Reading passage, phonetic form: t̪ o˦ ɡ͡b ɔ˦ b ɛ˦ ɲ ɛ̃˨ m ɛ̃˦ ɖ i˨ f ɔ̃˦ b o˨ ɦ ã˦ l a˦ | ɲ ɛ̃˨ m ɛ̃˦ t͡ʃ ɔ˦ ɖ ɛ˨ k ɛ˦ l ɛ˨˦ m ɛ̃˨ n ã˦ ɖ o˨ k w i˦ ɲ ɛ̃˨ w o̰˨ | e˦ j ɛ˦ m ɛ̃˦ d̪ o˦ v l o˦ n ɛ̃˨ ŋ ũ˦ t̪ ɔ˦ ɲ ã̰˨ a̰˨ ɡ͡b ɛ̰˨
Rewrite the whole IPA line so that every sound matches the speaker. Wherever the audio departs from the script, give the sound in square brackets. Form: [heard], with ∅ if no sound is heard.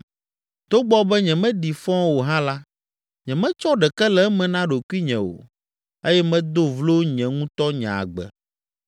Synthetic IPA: t̪ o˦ ɡ͡b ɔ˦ b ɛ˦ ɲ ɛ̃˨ m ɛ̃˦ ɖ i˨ f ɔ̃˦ [w] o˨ ɦ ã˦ l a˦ | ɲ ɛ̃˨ m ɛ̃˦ t͡ʃ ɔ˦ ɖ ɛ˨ k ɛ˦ l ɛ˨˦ m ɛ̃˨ n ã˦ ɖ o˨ k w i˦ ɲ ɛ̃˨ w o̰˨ | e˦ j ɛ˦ m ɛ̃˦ d̪ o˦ v l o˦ [ɲ] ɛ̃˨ ŋ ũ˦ t̪ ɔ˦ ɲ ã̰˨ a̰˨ ɡ͡b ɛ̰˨